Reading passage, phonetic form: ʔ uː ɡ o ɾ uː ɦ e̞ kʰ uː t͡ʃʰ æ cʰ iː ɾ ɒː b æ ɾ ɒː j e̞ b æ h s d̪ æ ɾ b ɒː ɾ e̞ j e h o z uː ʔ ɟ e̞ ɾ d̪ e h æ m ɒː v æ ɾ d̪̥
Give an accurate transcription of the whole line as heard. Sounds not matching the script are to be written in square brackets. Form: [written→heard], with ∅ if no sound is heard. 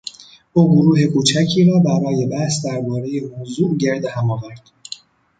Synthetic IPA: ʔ uː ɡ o ɾ uː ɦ e̞ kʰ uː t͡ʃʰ æ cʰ iː ɾ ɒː b æ ɾ ɒː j e̞ b æ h s d̪ æ ɾ b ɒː ɾ e̞ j e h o z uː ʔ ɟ e̞ ɾ d̪ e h æ m ɒː v æ ɾ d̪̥